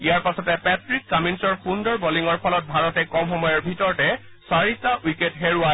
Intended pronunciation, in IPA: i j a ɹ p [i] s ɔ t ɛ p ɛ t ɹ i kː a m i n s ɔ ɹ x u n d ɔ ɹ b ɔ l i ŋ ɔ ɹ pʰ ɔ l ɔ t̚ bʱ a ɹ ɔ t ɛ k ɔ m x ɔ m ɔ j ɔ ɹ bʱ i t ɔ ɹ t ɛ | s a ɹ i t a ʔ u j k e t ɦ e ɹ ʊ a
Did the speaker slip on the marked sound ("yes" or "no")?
yes